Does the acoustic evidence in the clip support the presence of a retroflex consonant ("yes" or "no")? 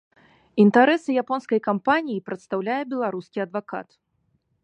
no